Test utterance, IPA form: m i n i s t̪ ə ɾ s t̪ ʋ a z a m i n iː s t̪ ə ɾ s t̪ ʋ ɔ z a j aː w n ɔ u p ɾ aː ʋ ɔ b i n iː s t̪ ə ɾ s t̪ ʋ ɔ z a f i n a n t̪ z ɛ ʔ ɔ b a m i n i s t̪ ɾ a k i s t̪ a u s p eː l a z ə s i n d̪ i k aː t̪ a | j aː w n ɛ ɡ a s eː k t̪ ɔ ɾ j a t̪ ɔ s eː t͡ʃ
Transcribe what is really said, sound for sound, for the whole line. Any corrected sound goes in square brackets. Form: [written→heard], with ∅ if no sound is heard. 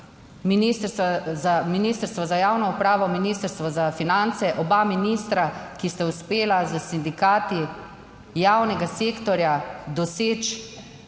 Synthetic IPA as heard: m i n i s t̪ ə ɾ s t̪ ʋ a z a m i n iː s t̪ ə ɾ s t̪ ʋ ɔ z a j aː w n ɔ u p ɾ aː ʋ ɔ [b→m] i n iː s t̪ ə ɾ s t̪ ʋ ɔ z a f i n a n t̪ [z→s] ɛ ʔ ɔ b a m i n i s t̪ ɾ a k i s t̪ a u s p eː l a z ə s i n d̪ i k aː t̪ [a→i] | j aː w n ɛ ɡ a s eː k t̪ ɔ ɾ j a [t̪→d̪] ɔ s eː t͡ʃ